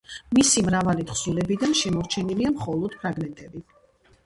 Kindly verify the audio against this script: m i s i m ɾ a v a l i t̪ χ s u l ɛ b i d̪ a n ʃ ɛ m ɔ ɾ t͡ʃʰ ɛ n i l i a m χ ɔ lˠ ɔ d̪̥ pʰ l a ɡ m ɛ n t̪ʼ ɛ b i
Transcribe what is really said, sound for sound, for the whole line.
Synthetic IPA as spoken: m i s i m ɾ a v a l i t̪ χ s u l ɛ b i d̪ a n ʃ ɛ m ɔ ɾ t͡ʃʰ ɛ n i l i a m χ ɔ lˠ ɔ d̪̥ pʰ ɾ a ɡ m ɛ n t̪ʼ ɛ b i

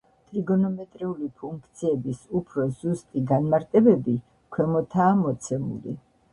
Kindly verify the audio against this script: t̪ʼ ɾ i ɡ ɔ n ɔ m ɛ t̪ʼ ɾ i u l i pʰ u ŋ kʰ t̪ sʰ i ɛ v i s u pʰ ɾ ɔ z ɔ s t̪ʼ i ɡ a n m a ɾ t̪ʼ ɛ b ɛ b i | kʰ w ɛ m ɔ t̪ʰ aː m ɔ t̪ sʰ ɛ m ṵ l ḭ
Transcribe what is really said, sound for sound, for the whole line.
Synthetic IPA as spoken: t̪ʼ ɾ i ɡ ɔ n ɔ m ɛ t̪ʼ ɾ i u l i pʰ u ŋ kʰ t̪ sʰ i ɛ b i s u pʰ ɾ ɔ z u s t̪ʼ i ɡ a n m a ɾ t̪ʼ ɛ b ɛ b i | kʰ w ɛ m ɔ t̪ʰ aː m ɔ t̪ sʰ ɛ m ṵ l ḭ

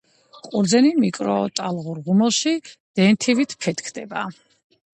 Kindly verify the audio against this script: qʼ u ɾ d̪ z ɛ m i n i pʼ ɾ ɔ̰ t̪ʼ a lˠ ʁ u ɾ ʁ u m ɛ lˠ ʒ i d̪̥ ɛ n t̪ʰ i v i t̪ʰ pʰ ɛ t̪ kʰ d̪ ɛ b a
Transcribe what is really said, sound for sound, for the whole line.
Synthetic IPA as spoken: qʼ u ɾ d̪ z ɛ n i m i kʼ ɾ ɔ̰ t̪ʼ a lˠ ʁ u ɾ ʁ u m ɛ lˠ ʃ i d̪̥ ɛ n t̪ʰ i v i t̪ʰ pʰ ɛ t̪ kʰ d̪ ɛ b a

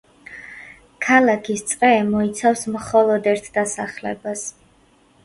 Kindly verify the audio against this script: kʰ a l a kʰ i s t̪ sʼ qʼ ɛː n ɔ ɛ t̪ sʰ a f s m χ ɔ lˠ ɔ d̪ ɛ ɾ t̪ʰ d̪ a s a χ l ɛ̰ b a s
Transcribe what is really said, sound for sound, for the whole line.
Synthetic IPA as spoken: kʰ a l a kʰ i s t̪ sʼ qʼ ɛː m ɔ i t̪ sʰ a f s m χ ɔ lˠ ɔ d̪ ɛ ɾ t̪ʰ d̪ a s a χ l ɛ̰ b a s

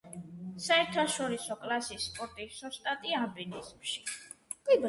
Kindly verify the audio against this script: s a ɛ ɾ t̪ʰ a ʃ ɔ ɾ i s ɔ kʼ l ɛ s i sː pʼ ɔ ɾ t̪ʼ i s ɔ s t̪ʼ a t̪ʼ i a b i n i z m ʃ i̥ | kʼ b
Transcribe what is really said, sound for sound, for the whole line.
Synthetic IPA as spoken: s a ɛ ɾ t̪ʰ a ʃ ɔ ɾ i s ɔ kʼ l a s i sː pʼ ɔ ɾ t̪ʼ i s ɔ s t̪ʼ a t̪ʼ i a b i n i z m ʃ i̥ | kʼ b

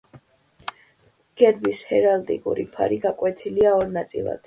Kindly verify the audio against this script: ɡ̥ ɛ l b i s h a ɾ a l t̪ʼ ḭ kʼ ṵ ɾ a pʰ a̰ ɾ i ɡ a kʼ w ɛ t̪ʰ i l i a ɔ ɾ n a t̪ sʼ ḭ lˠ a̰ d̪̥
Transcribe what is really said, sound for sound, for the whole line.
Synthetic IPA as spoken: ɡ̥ ɛ ɾ b i s h ɛ ɾ a l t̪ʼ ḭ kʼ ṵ ɾ i pʰ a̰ ɾ i ɡ a kʼ w ɛ t̪ʰ i l i a ɔ ɾ n a t̪ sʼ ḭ lˠ a̰ d̪̥

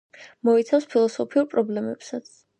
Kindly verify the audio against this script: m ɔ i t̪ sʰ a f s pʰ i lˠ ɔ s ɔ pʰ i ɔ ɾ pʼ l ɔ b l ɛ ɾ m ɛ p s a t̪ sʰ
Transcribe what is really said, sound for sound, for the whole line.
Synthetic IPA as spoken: m ɔ i t̪ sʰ a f s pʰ i lˠ ɔ s ɔ pʰ i u ɾ pʼ ɾ ɔ b l ɛ m ɛ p s a t̪ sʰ

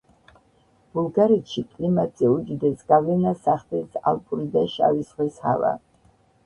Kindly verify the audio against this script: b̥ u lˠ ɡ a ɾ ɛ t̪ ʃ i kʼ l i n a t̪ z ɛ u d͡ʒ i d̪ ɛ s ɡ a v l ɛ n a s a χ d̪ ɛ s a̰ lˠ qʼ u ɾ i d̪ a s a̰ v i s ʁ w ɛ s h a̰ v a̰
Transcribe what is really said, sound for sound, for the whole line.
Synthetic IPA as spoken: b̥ u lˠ ɡ a ɾ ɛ t̪ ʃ i kʼ l i m a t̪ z ɛ u d͡ʒ i d̪ ɛ s ɡ a v l ɛ n a s a χ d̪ ɛ s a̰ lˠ pʼ u ɾ i d̪ a ʃ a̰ v i s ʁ w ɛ s h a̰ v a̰

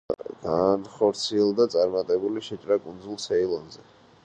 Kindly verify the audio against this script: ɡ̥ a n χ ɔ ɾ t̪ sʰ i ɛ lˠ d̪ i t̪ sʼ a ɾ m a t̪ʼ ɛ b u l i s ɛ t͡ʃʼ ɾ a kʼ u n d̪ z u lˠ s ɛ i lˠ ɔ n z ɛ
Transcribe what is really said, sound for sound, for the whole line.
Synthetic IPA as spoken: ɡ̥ a n χ ɔ ɾ t̪ sʰ i ɛ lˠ d̪ a t̪ sʼ a ɾ m a t̪ʼ ɛ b u l i ʃ ɛ t͡ʃʼ ɾ a kʼ u n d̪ z u lˠ s ɛ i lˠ ɔ n z ɛ

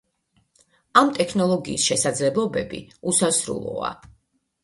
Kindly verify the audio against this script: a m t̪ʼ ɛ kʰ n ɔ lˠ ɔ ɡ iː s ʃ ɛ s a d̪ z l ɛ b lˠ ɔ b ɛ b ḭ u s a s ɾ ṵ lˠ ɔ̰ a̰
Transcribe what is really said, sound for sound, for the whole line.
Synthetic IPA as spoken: a m t̪ʼ ɛ kʰ n ɔ lˠ ɔ ɡ iː s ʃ ɛ s a d̪ z l ɛ b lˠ ɔ b ɛ b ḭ u s a s ɾ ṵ lˠ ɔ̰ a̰

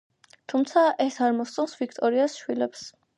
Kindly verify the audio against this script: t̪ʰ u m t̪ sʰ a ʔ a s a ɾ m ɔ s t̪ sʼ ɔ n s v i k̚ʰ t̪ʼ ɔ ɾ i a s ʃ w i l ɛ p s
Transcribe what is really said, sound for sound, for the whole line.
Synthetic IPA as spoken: t̪ʰ u m t̪ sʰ a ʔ ɛ s a ɾ m ɔ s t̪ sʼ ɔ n s v i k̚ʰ t̪ʼ ɔ ɾ i a s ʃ w i l ɛ p s

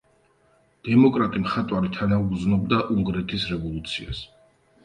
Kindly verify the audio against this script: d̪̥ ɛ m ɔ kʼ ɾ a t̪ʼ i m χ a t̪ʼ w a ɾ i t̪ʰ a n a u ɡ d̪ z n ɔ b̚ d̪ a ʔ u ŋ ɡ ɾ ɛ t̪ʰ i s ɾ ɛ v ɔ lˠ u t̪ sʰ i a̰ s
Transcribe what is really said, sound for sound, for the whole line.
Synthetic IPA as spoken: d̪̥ ɛ m ɔ kʼ ɾ a t̪ʼ i m χ a t̪ʼ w a ɾ i t̪ʰ a n a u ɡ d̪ z n ɔ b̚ d̪ a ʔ u ŋ ɡ ɾ ɛ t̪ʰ i s ɾ ɛ v ɔ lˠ u t̪ sʰ i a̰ s

